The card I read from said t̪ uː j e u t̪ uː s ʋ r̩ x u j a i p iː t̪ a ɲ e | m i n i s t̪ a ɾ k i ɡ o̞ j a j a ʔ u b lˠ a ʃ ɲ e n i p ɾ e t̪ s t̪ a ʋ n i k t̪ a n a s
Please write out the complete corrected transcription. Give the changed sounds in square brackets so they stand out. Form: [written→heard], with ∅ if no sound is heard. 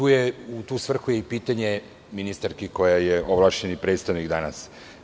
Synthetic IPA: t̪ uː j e u t̪ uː s ʋ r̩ x u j [a→e] i p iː t̪ a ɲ e | m i n i s t̪ a ɾ k i [ɡ→k] o̞ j a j [a→e] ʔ [u→o] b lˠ a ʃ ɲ e n i p ɾ e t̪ s t̪ a ʋ n i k [t̪→d̪] a n a s